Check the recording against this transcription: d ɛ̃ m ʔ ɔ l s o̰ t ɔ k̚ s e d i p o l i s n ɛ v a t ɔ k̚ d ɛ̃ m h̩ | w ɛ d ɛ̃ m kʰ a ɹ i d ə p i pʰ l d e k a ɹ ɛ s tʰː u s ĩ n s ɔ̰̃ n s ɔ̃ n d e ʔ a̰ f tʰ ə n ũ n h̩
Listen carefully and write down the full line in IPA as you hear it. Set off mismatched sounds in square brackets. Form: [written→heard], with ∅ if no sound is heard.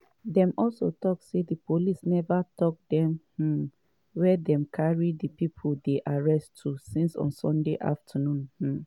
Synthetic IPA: d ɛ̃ m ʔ ɔ l s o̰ t ɔ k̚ s e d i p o l i s n ɛ v a t ɔ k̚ d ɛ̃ m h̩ | w ɛ d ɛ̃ m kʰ a ɹ i d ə p i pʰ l d e [k→ʔ] a ɹ ɛ s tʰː u s ĩ n s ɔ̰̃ n s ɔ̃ n d e ʔ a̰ f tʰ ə n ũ n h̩